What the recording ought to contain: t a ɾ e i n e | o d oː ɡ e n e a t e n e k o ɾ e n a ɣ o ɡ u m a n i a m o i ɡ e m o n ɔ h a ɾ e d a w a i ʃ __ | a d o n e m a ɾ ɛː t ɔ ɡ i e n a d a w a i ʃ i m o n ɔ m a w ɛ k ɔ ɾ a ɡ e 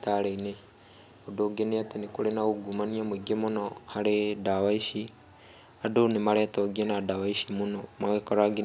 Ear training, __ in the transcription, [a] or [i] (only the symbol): i